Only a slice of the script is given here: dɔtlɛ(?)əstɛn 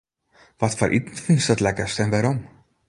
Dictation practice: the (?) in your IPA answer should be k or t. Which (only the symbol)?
k